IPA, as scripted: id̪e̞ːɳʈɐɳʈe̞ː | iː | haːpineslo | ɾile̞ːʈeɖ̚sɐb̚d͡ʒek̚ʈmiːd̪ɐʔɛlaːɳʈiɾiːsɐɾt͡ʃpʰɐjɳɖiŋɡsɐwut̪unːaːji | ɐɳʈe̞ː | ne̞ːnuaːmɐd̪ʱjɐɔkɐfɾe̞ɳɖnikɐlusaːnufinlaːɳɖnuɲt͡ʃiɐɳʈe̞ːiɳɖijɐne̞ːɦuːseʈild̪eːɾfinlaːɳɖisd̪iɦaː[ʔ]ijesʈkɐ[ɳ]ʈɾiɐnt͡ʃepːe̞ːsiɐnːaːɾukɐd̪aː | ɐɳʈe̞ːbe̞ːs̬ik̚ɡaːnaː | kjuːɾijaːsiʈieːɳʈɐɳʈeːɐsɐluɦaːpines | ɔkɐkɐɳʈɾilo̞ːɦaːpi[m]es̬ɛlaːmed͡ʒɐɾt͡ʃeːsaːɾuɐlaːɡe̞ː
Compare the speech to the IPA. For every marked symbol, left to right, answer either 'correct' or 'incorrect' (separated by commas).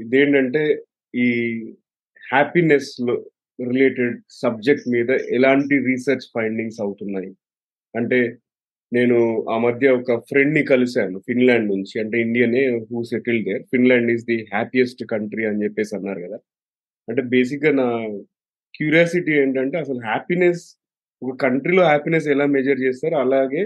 incorrect, correct, incorrect